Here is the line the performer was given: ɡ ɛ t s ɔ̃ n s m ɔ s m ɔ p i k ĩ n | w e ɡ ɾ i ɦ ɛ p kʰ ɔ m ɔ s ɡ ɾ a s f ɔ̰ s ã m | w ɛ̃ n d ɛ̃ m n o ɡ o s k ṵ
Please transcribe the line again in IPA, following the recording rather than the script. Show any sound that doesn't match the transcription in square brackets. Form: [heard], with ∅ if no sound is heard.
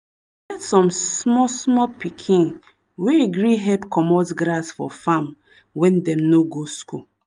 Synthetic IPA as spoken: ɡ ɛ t s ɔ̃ [m] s m ɔ s m ɔ p i [kʰ] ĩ n | w e ɡ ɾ i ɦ ɛ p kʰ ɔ m ɔ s ɡ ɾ a s f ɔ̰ [f] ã m | w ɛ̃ n d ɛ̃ m n o ɡ o s k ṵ

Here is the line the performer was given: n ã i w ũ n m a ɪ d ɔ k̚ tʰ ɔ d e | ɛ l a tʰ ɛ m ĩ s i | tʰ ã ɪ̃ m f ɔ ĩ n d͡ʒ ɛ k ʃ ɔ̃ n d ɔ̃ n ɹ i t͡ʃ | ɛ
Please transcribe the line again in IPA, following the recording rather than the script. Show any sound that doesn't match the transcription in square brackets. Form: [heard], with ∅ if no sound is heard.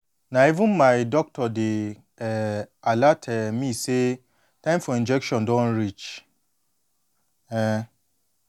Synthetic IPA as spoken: n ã i [v] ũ n m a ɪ d ɔ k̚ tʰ ɔ d e | [a] l a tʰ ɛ m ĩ s [e] | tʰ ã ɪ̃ m f ɔ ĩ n d͡ʒ ɛ k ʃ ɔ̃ n d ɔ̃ n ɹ i t͡ʃ | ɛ

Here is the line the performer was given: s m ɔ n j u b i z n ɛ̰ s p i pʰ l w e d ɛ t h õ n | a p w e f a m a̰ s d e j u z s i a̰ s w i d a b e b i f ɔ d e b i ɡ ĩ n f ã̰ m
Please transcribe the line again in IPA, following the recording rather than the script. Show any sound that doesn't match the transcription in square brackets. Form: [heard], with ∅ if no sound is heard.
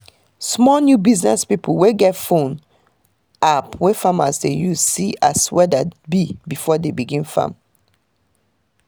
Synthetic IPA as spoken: s m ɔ n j u b i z n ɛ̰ s p i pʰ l w e [ɡ] ɛ t [f] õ n | a p w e f a m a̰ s d e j u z s i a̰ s w [ɛ] d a b [i] b i f ɔ d e b i ɡ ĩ n f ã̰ m

